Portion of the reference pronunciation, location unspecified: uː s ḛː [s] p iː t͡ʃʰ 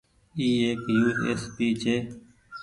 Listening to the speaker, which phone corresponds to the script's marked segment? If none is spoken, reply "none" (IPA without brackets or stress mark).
s